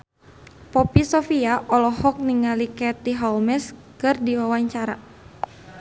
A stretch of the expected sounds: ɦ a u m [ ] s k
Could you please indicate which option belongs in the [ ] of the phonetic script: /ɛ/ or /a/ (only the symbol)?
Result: ɛ